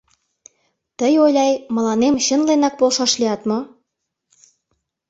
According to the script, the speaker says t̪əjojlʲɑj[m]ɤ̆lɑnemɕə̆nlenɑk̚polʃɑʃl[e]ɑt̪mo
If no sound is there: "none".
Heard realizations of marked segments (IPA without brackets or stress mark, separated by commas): m, i